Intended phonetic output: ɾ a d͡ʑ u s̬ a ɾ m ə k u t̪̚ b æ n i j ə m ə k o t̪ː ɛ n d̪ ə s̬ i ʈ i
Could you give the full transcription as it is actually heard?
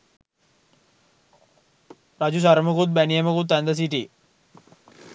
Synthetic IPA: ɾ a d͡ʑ u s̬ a ɾ m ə k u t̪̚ b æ n i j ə m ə k u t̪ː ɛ n d̪ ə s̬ i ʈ i